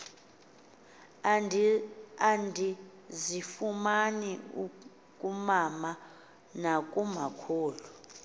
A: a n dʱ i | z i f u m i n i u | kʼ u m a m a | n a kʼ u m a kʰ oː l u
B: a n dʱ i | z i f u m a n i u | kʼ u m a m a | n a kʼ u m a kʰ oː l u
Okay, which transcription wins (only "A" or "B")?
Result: B